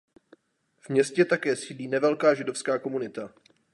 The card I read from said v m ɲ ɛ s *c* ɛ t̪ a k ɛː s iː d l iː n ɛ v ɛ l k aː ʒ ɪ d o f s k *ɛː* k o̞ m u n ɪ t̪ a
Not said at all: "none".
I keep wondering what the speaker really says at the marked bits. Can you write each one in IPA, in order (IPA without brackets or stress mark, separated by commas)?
c, aː